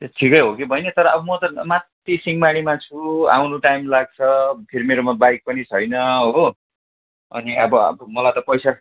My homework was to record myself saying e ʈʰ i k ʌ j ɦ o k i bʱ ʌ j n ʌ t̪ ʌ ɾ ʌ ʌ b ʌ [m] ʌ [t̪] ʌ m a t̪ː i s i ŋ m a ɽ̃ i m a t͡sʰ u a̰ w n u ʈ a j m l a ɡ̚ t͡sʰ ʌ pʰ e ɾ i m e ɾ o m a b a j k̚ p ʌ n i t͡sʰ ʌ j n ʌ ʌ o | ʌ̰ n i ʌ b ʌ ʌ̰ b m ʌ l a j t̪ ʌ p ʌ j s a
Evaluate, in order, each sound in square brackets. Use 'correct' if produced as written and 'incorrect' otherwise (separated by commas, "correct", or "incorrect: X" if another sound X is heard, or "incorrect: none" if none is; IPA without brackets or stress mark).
correct, correct